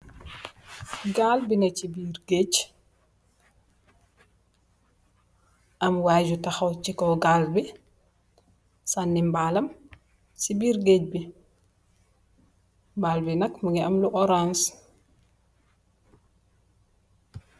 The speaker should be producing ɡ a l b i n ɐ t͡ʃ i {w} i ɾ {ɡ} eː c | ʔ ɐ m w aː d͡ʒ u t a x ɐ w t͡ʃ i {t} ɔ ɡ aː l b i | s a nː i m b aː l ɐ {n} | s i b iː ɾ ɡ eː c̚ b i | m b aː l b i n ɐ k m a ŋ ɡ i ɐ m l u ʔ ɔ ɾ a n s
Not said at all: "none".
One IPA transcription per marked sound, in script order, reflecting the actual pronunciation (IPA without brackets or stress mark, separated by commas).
b, ɡ, k, m